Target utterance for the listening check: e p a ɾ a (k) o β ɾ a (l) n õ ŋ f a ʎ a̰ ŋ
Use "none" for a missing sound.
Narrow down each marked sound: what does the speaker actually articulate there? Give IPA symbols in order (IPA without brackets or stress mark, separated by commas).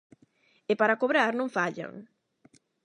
k, ɾ